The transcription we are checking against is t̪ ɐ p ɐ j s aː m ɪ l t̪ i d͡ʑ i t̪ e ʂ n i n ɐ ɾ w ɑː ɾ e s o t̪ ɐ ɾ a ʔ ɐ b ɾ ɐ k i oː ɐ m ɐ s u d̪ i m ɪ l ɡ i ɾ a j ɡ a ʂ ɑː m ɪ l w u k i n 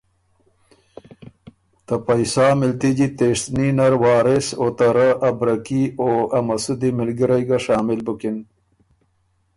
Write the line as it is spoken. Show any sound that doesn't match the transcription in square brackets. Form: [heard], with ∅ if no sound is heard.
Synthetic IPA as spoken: t̪ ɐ p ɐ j s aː m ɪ l t̪ i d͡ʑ i t̪ e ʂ n i n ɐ ɾ w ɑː ɾ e s o t̪ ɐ ɾ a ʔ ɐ b ɾ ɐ k i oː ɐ m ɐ s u d̪ i m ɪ l ɡ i ɾ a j ɡ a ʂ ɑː m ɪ l [b] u k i n